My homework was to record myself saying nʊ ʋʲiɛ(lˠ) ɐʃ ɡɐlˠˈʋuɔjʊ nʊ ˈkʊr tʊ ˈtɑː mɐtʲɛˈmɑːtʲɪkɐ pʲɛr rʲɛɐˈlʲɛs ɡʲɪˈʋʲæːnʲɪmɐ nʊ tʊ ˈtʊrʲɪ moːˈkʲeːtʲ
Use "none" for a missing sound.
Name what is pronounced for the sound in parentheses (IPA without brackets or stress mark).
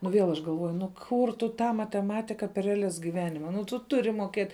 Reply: lˠ